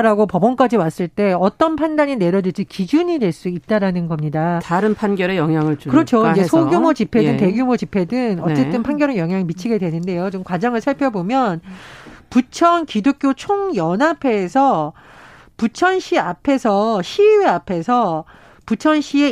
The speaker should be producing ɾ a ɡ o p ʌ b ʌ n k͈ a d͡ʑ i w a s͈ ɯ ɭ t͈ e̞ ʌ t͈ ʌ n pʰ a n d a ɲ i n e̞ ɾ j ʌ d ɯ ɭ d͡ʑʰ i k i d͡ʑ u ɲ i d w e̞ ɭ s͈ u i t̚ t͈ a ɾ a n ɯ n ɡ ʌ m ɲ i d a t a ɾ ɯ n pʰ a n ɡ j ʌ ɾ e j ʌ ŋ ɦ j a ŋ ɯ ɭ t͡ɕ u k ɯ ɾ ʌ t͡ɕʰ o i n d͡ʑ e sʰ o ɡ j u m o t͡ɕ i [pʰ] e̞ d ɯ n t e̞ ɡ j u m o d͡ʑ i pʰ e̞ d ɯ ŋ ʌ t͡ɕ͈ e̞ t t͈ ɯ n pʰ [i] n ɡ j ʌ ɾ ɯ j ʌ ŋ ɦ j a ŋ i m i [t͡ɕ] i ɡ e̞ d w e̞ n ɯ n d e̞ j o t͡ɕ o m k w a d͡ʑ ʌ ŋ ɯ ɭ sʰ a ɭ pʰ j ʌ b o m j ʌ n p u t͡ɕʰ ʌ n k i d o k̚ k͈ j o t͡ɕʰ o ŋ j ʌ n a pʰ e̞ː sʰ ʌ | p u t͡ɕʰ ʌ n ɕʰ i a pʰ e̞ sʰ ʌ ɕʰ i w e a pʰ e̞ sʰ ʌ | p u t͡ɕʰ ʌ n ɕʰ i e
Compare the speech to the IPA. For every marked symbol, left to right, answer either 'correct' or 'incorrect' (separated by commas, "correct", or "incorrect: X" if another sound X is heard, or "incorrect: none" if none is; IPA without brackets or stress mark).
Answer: correct, incorrect: a, incorrect: t͡ɕʰ